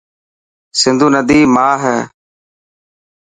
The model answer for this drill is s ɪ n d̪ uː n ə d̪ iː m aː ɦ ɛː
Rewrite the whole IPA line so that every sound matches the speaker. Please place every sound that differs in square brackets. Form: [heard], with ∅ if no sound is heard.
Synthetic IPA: s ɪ n d̪ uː n ə d̪ iː m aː ɦ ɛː